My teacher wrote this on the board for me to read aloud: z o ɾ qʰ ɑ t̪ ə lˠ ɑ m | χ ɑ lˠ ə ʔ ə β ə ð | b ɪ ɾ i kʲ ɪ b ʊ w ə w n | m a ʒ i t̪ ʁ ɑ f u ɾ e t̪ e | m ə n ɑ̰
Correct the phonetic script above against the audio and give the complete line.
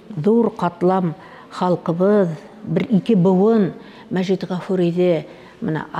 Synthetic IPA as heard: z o ɾ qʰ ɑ t̪ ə lˠ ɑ m | χ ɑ lˠ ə q ə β ə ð | b ɪ ɾ i kʲ ɪ b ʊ w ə n | m æ ʒ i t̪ ʁ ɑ f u ɾ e d̪ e | m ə n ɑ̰